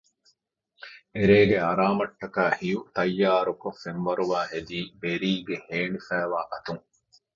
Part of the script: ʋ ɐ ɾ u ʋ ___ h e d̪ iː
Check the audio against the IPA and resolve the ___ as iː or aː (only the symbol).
aː